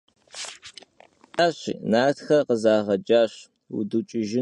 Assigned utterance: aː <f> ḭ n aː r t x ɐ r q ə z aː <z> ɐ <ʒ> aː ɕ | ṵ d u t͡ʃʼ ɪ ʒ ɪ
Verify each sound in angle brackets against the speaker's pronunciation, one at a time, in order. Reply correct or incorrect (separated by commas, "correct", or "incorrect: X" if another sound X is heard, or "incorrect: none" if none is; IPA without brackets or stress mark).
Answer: incorrect: ɕ, incorrect: ʁ, incorrect: d͡ʒ